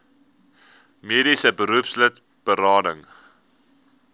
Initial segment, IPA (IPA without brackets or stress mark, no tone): m